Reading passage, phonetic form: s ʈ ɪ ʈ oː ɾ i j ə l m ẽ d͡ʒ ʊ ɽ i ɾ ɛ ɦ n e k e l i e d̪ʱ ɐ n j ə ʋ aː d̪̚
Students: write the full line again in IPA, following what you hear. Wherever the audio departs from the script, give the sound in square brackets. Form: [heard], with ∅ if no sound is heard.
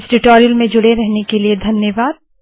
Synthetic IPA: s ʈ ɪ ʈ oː ɾ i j ə l m ẽ d͡ʒ ʊ ɽ [e] ɾ ɛ ɦ n e k e l i e d̪ʱ ɐ n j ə ʋ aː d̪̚